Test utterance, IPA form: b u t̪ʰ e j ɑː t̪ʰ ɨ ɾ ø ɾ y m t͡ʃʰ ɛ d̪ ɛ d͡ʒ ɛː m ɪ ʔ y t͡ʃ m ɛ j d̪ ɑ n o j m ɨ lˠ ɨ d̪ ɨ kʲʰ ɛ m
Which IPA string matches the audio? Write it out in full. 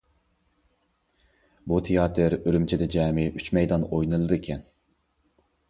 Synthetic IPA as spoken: b u t̪ʰ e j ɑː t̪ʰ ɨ ɾ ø ɾ y m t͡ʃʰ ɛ d̪ ɛ d͡ʒ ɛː m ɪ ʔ y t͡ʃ m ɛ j d̪ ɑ n o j n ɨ lˠ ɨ d̪ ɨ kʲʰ ɛ n